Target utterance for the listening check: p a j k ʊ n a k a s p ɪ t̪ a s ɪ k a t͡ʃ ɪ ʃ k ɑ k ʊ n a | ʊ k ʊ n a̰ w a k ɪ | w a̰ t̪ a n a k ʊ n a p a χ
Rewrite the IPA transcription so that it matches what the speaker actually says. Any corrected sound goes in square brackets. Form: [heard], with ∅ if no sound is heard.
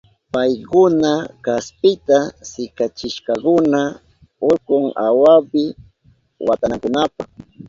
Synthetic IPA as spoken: p a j k ʊ n a k a s p ɪ t̪ a s ɪ k a t͡ʃ ɪ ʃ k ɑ k ʊ n a | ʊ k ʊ [ŋ] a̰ w a [p] ɪ | w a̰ t̪ a n a k ʊ n a p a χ